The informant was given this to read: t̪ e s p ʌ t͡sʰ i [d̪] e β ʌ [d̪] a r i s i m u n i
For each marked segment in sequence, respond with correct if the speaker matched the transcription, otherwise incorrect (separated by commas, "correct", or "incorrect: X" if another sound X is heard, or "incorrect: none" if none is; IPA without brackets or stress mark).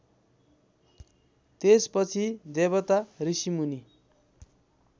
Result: correct, incorrect: t̪